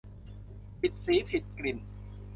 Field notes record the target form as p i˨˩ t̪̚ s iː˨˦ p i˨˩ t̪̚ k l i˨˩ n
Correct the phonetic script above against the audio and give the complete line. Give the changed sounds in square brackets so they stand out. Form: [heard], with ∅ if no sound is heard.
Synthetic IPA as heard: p i˨˩ t̪̚ s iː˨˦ [pʰ] i˨˩ t̪̚ k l i˨˩ n